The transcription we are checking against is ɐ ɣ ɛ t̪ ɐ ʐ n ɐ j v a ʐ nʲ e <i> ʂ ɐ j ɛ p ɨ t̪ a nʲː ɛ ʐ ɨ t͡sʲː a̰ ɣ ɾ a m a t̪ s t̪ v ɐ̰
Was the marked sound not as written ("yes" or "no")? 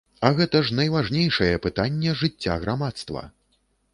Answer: yes